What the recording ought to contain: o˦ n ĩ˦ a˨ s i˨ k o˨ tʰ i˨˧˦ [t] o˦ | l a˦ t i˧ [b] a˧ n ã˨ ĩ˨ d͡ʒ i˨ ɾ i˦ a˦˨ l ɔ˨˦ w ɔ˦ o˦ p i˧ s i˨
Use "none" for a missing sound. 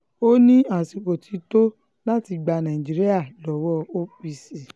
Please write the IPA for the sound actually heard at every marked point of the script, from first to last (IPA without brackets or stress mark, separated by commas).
t, ɡ͡b